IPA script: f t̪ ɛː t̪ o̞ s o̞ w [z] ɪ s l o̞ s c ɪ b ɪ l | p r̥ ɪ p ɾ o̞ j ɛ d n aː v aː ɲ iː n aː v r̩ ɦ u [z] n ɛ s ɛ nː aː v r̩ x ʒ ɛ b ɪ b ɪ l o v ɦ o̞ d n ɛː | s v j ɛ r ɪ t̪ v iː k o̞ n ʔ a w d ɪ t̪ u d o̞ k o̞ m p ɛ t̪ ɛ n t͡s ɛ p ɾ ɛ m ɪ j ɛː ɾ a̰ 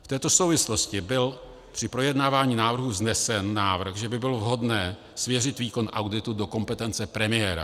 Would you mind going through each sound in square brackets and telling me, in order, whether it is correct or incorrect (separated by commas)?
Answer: incorrect, correct